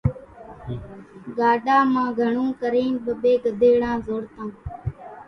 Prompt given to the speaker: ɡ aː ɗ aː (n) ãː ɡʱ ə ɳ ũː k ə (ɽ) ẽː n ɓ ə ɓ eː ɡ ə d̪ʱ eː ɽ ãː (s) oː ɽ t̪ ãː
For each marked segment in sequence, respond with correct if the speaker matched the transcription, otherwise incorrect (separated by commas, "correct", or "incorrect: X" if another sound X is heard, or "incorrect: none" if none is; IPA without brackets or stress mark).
incorrect: m, incorrect: ɾ, incorrect: z